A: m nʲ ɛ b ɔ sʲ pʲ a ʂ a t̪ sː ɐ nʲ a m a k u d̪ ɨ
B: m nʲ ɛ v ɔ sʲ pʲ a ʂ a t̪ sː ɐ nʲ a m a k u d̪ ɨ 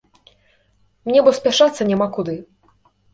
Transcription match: A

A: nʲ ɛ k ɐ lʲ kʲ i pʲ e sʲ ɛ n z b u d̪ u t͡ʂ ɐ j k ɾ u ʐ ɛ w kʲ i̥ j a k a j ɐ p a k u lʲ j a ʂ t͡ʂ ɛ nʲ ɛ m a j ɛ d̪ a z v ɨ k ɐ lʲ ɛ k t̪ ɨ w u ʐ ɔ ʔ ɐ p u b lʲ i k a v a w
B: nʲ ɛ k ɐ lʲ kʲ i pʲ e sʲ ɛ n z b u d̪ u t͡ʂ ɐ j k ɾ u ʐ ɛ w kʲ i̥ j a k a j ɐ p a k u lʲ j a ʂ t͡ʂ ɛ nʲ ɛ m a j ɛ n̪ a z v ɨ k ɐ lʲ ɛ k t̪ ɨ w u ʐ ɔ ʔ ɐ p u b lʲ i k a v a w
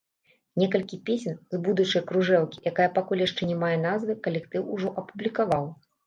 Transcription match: B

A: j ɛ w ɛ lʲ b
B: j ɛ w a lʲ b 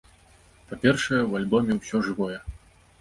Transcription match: B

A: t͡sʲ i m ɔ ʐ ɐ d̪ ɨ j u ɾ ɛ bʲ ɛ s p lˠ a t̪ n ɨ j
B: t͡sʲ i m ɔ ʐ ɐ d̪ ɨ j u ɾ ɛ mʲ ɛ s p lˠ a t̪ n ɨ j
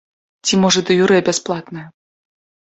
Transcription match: A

